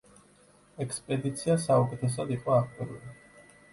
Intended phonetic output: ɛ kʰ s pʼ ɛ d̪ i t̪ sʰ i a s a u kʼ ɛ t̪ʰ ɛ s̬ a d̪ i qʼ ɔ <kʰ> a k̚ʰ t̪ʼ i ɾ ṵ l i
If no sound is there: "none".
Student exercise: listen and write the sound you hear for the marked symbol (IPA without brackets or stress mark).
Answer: none